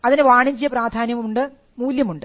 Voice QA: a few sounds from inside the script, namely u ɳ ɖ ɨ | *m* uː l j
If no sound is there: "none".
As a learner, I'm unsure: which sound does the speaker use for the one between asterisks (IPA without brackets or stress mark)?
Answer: m